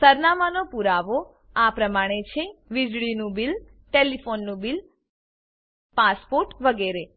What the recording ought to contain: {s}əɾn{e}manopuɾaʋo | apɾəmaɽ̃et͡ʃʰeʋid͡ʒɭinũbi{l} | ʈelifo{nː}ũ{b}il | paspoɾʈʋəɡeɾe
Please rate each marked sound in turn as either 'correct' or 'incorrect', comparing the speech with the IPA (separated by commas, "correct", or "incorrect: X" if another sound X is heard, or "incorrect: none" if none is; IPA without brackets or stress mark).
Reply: correct, incorrect: a, correct, correct, correct